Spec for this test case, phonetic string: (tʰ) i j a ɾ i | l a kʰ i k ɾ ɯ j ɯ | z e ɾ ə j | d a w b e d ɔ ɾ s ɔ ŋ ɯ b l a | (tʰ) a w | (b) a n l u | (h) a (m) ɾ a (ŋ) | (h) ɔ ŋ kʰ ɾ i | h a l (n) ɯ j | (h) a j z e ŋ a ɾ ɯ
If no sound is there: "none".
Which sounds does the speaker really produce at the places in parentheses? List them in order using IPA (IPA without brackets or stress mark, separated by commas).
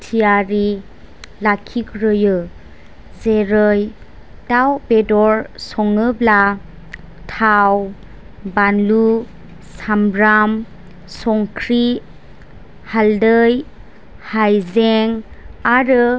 tʰ, tʰ, b, s, m, m, s, d, h